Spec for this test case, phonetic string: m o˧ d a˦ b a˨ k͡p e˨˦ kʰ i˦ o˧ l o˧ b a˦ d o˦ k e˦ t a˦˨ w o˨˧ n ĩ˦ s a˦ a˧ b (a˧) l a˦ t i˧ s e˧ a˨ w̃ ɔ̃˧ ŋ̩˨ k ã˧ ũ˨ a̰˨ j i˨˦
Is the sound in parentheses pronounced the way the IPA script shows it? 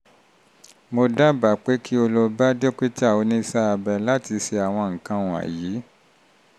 no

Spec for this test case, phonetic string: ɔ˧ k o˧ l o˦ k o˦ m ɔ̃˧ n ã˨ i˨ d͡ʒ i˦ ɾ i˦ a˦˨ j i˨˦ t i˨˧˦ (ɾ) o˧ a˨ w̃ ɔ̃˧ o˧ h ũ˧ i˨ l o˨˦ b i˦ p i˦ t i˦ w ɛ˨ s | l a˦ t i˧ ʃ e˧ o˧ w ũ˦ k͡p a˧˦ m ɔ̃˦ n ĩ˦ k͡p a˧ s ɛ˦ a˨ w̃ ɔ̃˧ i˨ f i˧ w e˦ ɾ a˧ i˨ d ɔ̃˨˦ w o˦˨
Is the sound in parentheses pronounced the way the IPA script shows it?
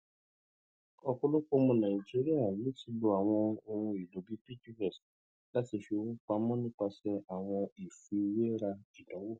no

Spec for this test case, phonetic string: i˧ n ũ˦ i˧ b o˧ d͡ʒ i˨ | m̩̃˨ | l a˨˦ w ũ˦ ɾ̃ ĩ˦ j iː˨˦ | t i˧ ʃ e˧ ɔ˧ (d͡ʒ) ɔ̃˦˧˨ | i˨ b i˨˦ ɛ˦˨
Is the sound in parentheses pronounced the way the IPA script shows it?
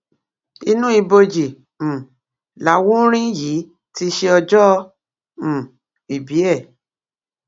yes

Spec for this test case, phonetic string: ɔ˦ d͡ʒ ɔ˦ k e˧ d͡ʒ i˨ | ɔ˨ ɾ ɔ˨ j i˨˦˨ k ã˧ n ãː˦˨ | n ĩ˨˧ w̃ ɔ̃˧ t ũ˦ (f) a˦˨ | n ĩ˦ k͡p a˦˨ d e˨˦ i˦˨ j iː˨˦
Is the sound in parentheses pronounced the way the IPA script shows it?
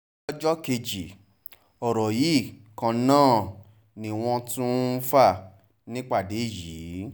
yes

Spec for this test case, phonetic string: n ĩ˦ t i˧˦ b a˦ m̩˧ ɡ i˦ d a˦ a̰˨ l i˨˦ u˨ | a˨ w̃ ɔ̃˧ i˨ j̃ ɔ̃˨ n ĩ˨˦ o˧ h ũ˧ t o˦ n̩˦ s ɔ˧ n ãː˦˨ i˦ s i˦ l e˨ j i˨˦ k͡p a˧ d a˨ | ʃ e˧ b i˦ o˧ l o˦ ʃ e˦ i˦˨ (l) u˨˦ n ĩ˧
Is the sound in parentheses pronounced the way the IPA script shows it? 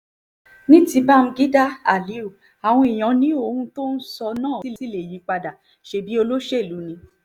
yes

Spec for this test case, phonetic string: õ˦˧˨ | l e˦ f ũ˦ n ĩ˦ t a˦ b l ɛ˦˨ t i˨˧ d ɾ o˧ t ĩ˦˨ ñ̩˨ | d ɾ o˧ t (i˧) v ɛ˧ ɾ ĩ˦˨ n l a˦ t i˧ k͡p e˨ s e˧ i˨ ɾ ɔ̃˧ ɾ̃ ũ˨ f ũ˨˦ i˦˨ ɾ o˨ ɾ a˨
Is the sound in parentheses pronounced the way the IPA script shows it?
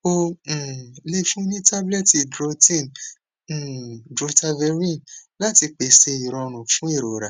no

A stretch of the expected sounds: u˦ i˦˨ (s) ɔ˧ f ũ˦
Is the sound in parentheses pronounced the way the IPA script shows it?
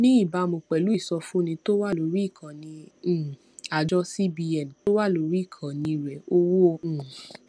yes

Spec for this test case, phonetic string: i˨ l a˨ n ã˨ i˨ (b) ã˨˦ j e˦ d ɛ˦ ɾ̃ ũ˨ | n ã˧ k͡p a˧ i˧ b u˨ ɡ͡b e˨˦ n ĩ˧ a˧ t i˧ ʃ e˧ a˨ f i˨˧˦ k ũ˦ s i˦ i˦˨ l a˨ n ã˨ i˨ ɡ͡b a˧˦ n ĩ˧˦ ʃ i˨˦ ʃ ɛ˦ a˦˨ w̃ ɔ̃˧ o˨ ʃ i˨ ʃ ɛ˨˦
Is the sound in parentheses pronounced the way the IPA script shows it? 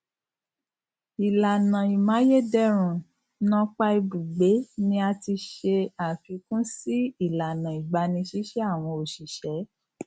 no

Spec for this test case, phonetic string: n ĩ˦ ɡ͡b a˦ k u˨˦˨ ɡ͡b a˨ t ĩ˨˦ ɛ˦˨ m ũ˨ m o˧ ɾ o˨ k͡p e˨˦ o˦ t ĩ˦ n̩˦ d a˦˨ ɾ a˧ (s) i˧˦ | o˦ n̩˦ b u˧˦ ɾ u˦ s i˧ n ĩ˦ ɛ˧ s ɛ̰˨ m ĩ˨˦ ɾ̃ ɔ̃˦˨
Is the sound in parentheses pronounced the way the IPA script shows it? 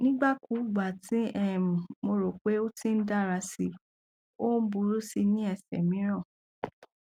yes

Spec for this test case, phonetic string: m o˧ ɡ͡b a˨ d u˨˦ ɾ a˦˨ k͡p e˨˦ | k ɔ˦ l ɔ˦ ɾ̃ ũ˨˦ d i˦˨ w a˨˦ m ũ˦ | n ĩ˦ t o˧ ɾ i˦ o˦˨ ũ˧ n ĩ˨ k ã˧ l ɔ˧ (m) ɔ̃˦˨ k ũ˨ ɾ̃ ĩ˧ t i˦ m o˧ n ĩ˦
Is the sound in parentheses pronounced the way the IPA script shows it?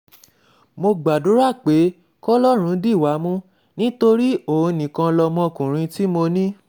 yes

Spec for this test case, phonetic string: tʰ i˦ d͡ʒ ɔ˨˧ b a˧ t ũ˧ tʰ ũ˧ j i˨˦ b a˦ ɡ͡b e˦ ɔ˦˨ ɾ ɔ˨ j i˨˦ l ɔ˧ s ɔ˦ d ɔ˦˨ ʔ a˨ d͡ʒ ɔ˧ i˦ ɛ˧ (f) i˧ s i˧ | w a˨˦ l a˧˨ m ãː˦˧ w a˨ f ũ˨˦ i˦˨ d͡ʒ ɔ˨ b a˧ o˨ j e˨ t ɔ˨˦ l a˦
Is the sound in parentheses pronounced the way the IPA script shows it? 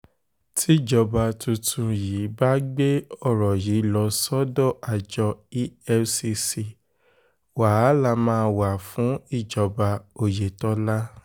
no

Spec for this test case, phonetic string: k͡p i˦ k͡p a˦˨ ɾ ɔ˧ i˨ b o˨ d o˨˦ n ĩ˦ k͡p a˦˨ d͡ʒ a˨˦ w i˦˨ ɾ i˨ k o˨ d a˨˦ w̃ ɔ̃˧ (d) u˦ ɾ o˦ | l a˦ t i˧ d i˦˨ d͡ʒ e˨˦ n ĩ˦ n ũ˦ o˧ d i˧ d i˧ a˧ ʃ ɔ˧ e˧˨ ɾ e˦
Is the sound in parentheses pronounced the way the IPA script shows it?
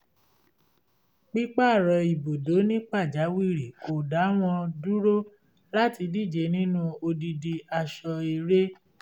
yes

